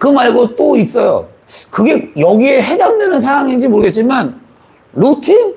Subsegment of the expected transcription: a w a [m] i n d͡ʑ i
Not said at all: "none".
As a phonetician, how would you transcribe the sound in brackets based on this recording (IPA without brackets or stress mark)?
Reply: ŋ